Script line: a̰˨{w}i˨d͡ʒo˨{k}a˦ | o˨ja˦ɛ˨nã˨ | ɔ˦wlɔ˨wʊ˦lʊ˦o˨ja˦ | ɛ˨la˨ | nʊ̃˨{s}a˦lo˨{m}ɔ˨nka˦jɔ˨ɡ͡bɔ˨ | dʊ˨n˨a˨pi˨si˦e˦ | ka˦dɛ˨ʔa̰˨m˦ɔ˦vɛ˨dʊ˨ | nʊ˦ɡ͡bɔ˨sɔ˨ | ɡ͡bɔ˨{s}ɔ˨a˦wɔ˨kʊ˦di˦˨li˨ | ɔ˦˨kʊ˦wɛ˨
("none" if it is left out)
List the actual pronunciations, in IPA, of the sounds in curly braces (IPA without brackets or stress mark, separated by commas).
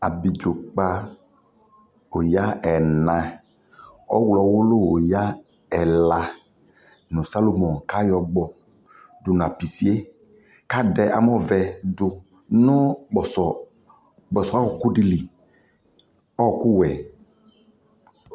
b, k͡p, s, m, s